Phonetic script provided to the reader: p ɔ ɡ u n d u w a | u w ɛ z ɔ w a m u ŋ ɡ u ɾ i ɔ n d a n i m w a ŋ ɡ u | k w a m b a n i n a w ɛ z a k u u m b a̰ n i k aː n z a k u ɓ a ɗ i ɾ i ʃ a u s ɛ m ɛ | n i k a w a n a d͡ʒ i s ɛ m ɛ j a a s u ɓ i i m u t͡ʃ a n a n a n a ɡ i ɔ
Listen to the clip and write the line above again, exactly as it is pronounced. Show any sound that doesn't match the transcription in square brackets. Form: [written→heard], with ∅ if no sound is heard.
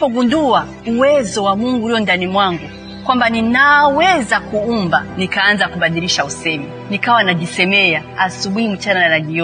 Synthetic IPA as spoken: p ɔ ɡ u n d u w a | u w ɛ z ɔ w a m u ŋ ɡ u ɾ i ɔ n d a n i m w a ŋ ɡ u | k w a m b a n i n a w ɛ z a k u u m b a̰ n i k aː n z a k u ɓ a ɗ i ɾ i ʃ a u s ɛ m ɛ | n i k a w a n a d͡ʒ i s ɛ m ɛ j a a s u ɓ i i m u t͡ʃ a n a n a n a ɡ i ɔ